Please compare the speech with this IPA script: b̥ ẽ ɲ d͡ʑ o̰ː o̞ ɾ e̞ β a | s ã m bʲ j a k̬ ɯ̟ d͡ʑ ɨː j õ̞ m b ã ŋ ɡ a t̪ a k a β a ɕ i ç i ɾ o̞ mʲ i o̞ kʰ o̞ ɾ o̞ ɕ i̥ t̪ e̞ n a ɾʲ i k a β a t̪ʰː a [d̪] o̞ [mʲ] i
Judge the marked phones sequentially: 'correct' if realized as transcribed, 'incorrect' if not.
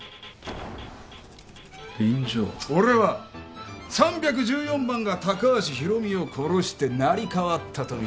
incorrect, incorrect

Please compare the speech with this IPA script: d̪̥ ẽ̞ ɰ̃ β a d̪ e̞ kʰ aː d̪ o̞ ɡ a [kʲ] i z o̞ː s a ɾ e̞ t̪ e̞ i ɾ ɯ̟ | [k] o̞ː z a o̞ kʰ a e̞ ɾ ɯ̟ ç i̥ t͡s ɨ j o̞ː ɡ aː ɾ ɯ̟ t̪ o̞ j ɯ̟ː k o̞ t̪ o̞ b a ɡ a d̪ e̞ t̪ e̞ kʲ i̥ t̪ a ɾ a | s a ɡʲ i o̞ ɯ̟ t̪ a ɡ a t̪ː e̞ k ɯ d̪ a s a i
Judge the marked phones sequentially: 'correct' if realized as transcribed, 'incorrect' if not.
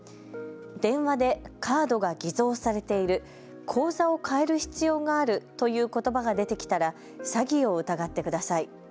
incorrect, incorrect

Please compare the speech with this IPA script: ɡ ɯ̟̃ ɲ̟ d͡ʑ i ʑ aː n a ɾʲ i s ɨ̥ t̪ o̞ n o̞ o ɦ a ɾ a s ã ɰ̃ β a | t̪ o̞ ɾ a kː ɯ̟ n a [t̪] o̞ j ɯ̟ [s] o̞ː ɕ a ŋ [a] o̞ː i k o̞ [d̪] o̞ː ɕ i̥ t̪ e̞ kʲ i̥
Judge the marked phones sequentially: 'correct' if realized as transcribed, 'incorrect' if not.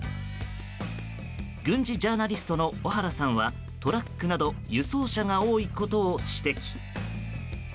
incorrect, correct, correct, incorrect

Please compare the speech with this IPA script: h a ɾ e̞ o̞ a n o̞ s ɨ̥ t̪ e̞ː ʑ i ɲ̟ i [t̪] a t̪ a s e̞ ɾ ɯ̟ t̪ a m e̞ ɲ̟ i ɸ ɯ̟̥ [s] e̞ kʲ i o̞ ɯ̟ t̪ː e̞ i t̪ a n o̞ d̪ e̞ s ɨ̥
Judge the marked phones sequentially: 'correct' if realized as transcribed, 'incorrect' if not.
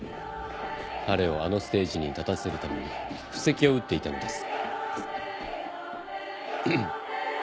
correct, correct

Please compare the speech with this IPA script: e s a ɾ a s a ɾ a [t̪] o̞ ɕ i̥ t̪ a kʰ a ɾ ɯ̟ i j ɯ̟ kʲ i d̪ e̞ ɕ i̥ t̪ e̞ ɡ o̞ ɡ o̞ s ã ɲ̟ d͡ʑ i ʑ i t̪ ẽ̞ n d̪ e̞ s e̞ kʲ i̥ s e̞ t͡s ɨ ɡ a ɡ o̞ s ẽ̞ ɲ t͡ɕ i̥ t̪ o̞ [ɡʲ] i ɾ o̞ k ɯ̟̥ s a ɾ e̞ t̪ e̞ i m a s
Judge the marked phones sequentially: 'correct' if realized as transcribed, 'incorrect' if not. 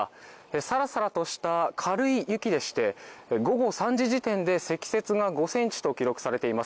correct, incorrect

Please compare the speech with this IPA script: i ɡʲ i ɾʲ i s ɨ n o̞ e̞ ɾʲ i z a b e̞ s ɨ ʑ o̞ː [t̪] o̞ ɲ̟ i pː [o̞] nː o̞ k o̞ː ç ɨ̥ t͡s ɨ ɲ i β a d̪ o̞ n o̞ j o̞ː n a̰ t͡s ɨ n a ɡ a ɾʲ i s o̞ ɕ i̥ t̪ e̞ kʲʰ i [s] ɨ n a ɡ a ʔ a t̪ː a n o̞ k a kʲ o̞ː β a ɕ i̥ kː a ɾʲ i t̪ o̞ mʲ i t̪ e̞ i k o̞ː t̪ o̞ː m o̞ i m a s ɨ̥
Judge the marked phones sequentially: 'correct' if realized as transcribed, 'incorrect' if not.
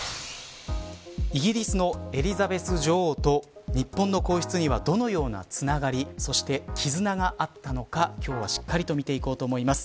correct, incorrect, incorrect

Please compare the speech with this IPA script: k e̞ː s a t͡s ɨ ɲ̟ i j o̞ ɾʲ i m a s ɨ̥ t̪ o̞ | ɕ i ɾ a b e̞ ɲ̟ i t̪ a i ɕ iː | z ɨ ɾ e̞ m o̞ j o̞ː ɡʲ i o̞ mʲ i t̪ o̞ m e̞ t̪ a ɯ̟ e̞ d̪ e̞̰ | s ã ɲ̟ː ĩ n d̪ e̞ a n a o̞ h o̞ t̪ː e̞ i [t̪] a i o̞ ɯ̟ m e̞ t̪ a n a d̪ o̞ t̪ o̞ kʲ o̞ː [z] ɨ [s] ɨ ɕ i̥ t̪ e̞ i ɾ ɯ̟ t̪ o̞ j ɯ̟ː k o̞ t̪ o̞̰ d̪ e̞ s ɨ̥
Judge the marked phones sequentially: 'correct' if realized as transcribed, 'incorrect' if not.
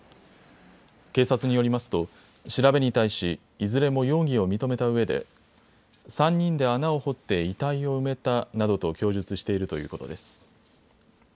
correct, incorrect, incorrect

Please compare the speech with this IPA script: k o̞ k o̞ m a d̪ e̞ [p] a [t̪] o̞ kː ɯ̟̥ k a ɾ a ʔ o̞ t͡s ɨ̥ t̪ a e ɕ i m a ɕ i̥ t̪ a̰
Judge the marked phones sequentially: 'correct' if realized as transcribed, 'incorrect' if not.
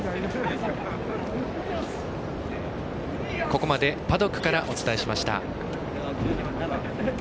correct, incorrect

